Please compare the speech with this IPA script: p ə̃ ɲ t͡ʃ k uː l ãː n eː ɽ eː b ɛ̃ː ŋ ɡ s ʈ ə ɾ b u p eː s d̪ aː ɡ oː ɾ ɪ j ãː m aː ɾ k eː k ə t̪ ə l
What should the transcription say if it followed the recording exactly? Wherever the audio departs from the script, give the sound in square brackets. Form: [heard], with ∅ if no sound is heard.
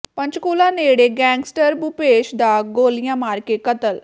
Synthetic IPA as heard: p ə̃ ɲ t͡ʃ k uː l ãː n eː ɽ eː [ɡ] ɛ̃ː ŋ ɡ s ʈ ə ɾ b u p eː [ʃ] d̪ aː ɡ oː [l] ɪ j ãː m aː ɾ k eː k ə t̪ ə l